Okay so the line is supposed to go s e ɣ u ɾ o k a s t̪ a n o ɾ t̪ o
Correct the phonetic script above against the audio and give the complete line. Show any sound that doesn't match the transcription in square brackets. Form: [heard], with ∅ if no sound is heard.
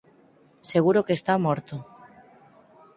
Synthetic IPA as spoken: s e ɣ u ɾ o k [e] s t̪ a [m] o ɾ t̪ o

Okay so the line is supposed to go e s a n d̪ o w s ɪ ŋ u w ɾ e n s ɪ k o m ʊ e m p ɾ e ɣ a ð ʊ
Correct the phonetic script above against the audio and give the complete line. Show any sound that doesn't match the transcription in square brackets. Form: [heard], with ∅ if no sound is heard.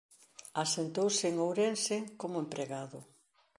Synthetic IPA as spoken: [a] s [e] n [t̪] o w s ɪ ŋ [o] w ɾ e n s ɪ k o m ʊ e m p ɾ e ɣ a ð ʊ

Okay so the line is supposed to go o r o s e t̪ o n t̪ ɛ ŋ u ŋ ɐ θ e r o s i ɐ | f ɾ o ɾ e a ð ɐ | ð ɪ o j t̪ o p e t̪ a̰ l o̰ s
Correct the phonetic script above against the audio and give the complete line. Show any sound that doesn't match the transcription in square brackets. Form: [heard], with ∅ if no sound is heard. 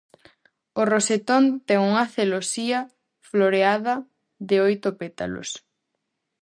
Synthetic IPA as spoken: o r o s e t̪ o n t̪ ɛ ŋ u ŋ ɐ θ e [l] o s i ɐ | f [l] o ɾ e a ð ɐ | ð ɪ o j t̪ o p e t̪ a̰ l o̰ s

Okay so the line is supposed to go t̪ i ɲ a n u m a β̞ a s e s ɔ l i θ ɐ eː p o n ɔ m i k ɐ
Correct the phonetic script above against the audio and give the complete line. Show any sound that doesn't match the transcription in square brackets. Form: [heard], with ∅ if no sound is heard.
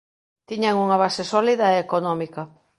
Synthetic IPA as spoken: t̪ i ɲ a [ŋ] u [ŋ] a β̞ a s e s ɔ l i [ð] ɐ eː [k] o n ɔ m i k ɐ

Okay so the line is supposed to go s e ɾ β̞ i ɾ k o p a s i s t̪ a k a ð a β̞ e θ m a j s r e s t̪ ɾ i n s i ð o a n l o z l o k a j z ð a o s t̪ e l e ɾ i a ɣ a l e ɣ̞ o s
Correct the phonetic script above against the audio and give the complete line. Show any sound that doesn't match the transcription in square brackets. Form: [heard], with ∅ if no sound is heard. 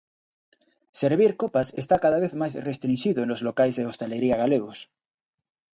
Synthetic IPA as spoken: s e ɾ β̞ i ɾ k o p a s [e] s t̪ a k a ð a β̞ e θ m a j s r e s t̪ ɾ i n [ʃ] i ð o [e] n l o z l o k a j z ð [e] o s t̪ e l e ɾ i a ɣ a l e ɣ̞ o s

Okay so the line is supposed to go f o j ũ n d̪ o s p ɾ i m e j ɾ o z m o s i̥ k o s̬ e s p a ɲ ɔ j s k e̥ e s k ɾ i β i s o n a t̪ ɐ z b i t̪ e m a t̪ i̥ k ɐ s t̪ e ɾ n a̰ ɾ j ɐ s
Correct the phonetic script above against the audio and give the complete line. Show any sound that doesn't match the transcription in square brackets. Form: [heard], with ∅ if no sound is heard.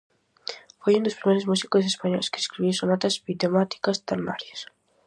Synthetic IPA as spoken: f o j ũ n d̪ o s p ɾ i m e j ɾ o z m [u] s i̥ k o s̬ e s p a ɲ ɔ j s k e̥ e s k ɾ i β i s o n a t̪ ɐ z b i t̪ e m a t̪ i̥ k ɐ s t̪ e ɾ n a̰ ɾ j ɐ s

